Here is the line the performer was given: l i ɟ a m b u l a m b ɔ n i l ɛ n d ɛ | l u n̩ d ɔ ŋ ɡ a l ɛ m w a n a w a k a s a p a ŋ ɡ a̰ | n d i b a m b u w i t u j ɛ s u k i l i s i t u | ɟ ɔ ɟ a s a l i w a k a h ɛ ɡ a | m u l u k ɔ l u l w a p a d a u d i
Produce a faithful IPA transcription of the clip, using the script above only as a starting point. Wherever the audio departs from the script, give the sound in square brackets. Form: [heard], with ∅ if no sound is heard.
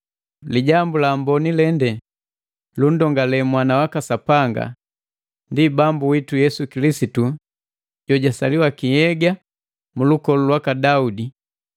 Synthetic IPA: l i ɟ a m b u l a m b ɔ n i l ɛ n d ɛ | l u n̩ d ɔ ŋ ɡ a l ɛ m w a n a w a k a s a p a ŋ ɡ a̰ | n d i b a m b u w i t u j ɛ s u k i l i s i t u | ɟ ɔ ɟ a s a l i w a k [i] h ɛ ɡ a | m u l u k ɔ l u l w a [k] a d a u d i

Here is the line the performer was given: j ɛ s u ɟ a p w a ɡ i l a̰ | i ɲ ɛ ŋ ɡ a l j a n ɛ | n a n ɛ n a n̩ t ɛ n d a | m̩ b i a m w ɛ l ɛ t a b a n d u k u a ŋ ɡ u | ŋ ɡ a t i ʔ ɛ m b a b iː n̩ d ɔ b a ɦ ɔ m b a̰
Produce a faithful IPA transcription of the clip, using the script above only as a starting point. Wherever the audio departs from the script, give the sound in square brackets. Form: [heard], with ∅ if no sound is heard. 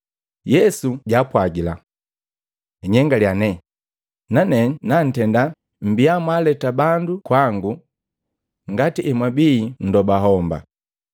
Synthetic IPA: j ɛ s u ɟ a p w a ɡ i l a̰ | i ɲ ɛ ŋ ɡ a l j a n ɛ | n a n ɛ n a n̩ t ɛ n d a | m̩ b i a m w [a] l ɛ t a b a n d u k [w] a ŋ ɡ u | ŋ ɡ a t i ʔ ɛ m [w] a b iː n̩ d ɔ b a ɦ ɔ m b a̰

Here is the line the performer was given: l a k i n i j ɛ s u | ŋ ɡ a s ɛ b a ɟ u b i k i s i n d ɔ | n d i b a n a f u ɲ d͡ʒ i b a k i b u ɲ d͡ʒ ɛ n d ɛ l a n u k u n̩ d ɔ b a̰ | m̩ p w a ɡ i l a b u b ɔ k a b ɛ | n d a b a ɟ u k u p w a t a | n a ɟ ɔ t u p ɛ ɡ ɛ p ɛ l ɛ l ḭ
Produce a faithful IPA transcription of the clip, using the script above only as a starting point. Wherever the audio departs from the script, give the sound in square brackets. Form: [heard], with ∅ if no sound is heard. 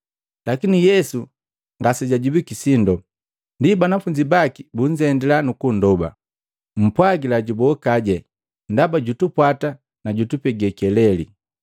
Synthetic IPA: l a k i n i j ɛ s u | ŋ ɡ a s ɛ [ɟ] a ɟ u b i k i s i n d ɔ | n d i b a n a f u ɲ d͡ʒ i b a k i b u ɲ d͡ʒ ɛ n d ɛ l a n u k u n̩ d ɔ b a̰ | m̩ p w a ɡ i l a [ɟ] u b ɔ k a [ɟ] ɛ | n d a b a ɟ u [t] u p w a t a | n a ɟ [u] t u p ɛ ɡ ɛ [k] ɛ l ɛ l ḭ

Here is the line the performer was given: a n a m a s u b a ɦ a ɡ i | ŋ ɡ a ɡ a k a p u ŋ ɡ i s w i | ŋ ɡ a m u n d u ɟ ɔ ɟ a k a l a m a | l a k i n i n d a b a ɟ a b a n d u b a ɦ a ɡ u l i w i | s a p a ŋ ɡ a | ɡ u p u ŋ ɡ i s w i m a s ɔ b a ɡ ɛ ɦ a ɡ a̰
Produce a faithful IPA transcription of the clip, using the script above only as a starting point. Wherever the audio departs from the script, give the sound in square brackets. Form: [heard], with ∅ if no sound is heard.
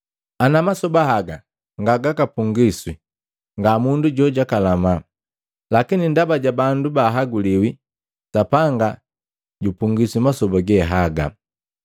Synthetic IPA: a n a m a s [ɔ] b a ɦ a ɡ [a] | ŋ ɡ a ɡ a k a p u ŋ ɡ i s w i | ŋ ɡ a m u n d u ɟ ɔ ɟ a k a l a m a | l a k i n i n d a b a ɟ a b a n d u b a ɦ a ɡ u l i w i | s a p a ŋ ɡ a | [ɟ] u p u ŋ ɡ i s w i m a s ɔ b a ɡ ɛ ɦ a ɡ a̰

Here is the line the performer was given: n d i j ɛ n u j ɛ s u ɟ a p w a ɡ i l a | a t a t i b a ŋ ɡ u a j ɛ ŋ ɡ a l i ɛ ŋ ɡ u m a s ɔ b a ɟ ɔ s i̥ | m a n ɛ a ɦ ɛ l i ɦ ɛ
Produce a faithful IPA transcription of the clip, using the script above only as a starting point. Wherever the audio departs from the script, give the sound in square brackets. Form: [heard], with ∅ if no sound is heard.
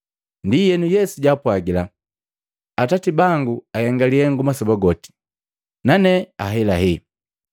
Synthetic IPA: n d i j ɛ n u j ɛ s u ɟ a p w a ɡ i l a | a t a t i b a ŋ ɡ u a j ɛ ŋ ɡ a l i ɛ ŋ ɡ u m a s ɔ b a [ɡ] ɔ [t] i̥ | [n] a n ɛ a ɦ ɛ l [a] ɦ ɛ

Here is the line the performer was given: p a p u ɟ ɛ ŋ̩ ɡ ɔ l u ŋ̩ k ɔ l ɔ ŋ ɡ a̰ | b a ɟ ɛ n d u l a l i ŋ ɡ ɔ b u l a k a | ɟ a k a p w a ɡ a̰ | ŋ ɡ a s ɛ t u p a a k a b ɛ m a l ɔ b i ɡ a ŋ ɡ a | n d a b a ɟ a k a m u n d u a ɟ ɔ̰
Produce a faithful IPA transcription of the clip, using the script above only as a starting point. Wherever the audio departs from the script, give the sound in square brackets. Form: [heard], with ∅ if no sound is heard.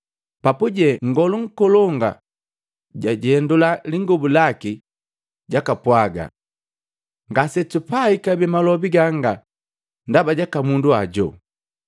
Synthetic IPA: p a p u ɟ ɛ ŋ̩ ɡ ɔ l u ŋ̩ k ɔ l ɔ ŋ ɡ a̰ | [ɟ] a ɟ ɛ n d u l a l i ŋ ɡ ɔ b u l a k [i] | ɟ a k a p w a ɡ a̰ | ŋ ɡ a s ɛ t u p a [i] k a b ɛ m a l ɔ b i ɡ a ŋ ɡ a | n d a b a ɟ a k a m u n d u a ɟ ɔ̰

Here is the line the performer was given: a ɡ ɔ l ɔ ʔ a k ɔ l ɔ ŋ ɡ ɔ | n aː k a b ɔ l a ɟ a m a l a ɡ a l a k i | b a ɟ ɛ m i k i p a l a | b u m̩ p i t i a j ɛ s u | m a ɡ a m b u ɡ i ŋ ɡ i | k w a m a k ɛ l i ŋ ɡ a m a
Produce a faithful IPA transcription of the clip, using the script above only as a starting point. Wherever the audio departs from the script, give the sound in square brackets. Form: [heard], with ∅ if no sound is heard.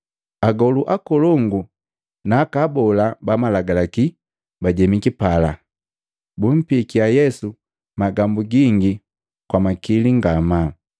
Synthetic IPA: a ɡ ɔ l [u] ʔ a k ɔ l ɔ ŋ ɡ [u] | n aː k a b ɔ l a [b] a m a l a ɡ a l a k i | b a ɟ ɛ m i k i p a l a | b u m̩ p i [k] i a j ɛ s u | m a ɡ a m b u ɡ i ŋ ɡ i | k w a m a k [i] l i ŋ ɡ a m a

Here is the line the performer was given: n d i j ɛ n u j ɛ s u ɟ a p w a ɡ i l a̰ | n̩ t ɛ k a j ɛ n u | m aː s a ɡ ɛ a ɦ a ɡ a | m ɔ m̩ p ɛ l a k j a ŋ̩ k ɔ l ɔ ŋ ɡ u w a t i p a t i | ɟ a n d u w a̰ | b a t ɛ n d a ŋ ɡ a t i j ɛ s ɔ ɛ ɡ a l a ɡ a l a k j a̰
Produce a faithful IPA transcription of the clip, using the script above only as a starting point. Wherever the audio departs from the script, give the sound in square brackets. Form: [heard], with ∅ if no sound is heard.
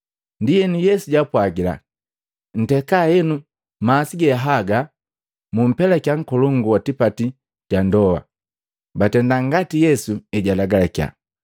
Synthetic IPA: n d i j ɛ n u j ɛ s u ɟ a p w a ɡ i l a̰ | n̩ t ɛ k a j ɛ n u | m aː s [i] ɡ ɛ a ɦ a ɡ a | m [u] m̩ p ɛ l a k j a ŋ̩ k ɔ l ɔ ŋ ɡ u w a t i p a t i | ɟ a n d [ɔ] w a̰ | b a t ɛ n d a ŋ ɡ a t i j ɛ s [u] ɛ [ɟ] a l a ɡ a l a k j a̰

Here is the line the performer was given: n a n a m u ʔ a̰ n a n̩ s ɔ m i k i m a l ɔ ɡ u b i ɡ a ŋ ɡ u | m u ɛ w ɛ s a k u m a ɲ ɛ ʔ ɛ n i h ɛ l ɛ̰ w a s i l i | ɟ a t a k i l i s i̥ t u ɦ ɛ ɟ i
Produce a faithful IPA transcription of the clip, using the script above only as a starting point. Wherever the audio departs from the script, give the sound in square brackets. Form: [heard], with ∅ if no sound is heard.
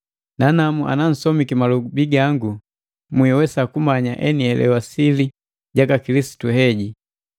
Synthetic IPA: n a n a m u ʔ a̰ n a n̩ s ɔ m i k i m a l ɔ ɡ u b i ɡ a ŋ ɡ u | m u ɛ w ɛ s a k u m a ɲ [a] ʔ ɛ n i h ɛ l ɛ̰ w a s i l i | ɟ a [k] a k i l i s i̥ t u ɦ ɛ ɟ i

